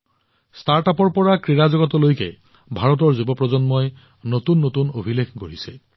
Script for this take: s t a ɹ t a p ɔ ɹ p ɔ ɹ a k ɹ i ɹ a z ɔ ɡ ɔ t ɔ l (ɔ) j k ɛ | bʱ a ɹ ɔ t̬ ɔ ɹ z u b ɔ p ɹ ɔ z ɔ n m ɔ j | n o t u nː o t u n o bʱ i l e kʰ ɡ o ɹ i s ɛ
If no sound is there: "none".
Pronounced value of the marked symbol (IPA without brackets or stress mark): o